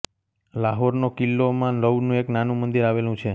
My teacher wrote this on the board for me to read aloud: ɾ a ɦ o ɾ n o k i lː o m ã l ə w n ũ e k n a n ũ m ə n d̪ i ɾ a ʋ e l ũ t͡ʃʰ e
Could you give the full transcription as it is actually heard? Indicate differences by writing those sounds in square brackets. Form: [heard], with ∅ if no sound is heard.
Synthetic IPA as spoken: [l] a ɦ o ɾ n o k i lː o m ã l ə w n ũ e k n a n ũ m ə n d̪ i ɾ a ʋ e l ũ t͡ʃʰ e